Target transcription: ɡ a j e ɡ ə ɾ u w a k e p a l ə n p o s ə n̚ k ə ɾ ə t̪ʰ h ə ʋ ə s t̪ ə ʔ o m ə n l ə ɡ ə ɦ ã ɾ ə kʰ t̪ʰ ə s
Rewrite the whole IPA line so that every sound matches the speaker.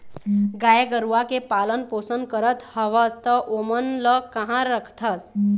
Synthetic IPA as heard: ɡ a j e ɡ ə ɾ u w a k e p a l ə n p o s ə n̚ k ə ɾ ə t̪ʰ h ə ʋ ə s t̪ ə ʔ o m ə n l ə k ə ɦ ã ɾ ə kʰ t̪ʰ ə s